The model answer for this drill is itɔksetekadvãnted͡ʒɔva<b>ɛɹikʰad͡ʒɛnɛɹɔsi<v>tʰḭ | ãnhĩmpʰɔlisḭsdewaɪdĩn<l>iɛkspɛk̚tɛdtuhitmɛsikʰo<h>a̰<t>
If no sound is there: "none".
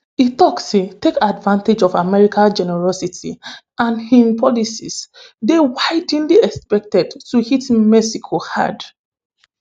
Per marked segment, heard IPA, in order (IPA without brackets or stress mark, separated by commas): m, none, l, h, d